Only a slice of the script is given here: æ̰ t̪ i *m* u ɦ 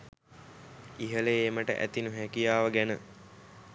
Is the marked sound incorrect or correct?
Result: incorrect